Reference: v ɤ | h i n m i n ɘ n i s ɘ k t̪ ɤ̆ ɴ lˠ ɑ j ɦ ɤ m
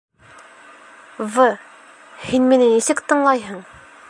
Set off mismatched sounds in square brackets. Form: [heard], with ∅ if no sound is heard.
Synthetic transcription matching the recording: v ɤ | h i n m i n ɘ n i s ɘ k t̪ ɤ̆ ɴ lˠ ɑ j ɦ ɤ [ɴ]